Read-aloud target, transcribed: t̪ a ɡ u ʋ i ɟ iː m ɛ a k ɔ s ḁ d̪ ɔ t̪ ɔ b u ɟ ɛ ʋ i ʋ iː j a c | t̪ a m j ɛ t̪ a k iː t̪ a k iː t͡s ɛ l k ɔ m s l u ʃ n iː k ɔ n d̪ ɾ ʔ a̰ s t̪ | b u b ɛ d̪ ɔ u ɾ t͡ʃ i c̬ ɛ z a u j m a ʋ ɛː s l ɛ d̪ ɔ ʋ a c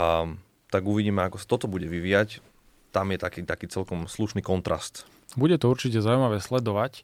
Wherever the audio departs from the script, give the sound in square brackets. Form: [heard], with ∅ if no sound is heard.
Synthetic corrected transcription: t̪ a ɡ u ʋ i ɟ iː m ɛ a k ɔ s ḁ [t̪] ɔ t̪ ɔ b u ɟ ɛ ʋ i ʋ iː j a c | t̪ a m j ɛ t̪ a k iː t̪ a k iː t͡s ɛ l k ɔ m s l u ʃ n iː k ɔ n [t̪] ɾ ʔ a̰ s t̪ | b u [ɟ] ɛ [t̪] ɔ u ɾ t͡ʃ i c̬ ɛ z a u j m a ʋ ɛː s l ɛ d̪ ɔ ʋ a c